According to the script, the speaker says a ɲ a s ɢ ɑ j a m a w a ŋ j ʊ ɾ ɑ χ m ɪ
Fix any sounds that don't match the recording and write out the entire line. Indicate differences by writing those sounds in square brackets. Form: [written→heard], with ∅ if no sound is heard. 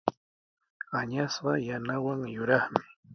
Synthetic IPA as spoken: a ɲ a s ɢ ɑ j a [m→n] a w a ŋ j ʊ ɾ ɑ χ m ɪ